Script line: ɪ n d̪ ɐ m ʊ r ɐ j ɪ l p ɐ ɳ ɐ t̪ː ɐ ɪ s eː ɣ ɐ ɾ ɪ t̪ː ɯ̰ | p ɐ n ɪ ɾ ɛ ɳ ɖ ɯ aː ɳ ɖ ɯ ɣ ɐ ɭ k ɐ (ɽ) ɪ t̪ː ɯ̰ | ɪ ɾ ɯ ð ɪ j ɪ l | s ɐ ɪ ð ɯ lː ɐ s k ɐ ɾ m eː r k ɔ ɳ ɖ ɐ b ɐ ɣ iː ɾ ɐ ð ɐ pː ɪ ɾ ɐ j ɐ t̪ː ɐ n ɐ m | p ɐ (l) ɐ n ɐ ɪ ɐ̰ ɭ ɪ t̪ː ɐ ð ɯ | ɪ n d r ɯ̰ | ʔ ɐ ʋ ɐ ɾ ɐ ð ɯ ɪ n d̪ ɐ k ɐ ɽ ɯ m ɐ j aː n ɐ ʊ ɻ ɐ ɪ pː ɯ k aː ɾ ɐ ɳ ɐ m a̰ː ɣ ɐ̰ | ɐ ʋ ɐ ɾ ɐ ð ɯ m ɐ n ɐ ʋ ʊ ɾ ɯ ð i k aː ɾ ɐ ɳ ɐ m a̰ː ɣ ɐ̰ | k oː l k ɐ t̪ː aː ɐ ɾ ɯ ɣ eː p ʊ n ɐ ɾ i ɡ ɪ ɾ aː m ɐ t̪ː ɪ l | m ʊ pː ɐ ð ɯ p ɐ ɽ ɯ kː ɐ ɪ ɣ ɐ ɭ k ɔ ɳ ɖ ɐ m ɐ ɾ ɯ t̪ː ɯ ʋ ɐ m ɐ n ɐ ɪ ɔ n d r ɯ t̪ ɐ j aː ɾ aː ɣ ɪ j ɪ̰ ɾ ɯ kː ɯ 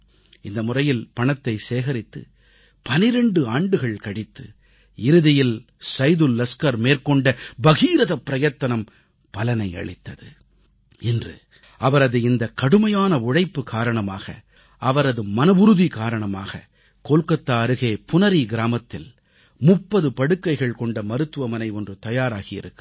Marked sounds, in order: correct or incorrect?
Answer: correct, correct

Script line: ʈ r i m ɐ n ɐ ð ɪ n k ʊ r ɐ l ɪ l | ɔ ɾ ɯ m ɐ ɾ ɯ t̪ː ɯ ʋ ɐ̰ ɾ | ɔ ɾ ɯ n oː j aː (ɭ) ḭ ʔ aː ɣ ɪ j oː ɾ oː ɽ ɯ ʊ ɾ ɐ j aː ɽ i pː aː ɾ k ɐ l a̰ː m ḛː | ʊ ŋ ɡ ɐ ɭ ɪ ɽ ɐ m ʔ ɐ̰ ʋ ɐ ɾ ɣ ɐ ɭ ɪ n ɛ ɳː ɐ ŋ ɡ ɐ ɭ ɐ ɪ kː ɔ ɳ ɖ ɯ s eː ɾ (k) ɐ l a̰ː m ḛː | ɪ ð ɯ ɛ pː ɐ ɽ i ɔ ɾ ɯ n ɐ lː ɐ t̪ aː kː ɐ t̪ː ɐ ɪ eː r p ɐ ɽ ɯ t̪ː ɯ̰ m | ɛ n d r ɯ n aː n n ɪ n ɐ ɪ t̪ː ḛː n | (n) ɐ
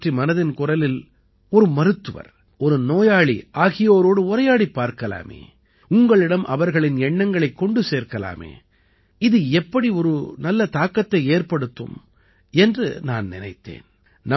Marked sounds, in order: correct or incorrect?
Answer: correct, correct, correct

